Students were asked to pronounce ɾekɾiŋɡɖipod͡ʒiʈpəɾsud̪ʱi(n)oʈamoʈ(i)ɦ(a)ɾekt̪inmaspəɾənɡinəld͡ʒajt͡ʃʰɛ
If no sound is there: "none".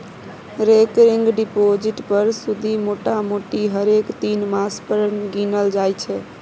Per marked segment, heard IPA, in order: m, i, ə

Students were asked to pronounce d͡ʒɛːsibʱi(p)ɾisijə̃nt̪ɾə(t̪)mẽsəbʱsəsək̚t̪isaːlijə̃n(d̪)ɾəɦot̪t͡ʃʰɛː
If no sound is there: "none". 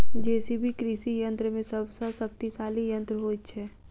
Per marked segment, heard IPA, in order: k, none, t̪

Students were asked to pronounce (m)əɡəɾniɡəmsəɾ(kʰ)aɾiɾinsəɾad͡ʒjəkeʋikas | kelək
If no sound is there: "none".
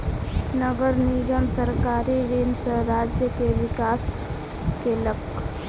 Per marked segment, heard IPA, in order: n, k

